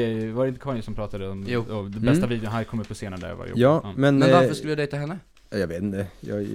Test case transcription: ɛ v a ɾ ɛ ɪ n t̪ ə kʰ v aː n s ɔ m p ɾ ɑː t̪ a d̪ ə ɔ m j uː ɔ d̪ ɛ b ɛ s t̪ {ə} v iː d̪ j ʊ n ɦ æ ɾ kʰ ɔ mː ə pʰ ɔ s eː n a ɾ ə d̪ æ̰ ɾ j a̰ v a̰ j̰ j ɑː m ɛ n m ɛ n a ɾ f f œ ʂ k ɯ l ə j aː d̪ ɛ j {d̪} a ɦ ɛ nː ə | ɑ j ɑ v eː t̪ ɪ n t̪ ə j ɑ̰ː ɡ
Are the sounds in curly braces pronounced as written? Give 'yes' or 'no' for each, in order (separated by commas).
no, no